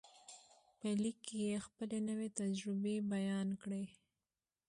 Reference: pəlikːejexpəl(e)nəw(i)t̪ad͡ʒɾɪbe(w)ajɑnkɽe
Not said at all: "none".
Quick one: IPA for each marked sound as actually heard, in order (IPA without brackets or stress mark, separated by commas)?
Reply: e, e, b